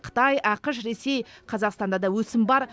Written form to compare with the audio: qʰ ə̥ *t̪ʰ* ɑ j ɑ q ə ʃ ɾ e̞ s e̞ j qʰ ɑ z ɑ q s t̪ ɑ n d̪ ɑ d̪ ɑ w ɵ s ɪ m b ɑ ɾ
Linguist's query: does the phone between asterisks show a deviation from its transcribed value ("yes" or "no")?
yes